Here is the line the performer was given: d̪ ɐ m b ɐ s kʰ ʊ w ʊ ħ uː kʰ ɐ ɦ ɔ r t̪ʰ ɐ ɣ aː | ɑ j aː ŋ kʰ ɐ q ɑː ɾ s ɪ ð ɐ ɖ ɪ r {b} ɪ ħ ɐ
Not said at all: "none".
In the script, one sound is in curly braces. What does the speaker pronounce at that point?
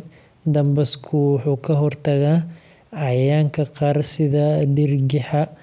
ɡ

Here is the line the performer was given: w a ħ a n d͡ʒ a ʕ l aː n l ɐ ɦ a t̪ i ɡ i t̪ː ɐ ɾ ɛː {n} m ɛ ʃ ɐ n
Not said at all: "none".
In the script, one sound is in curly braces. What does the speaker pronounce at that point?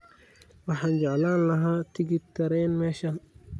n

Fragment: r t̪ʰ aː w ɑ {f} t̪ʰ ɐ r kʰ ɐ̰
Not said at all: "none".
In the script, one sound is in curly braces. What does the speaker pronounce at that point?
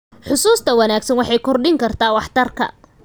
ħ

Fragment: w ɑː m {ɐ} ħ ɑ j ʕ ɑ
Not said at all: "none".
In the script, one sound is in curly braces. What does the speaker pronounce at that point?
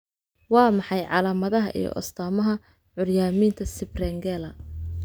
ɑ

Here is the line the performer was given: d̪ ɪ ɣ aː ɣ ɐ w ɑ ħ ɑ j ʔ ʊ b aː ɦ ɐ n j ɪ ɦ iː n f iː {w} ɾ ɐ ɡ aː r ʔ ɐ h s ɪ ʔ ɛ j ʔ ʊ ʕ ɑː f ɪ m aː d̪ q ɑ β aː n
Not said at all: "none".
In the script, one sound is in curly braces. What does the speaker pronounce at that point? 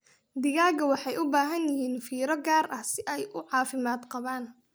none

